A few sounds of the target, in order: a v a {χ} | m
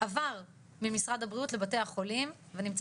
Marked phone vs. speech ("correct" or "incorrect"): incorrect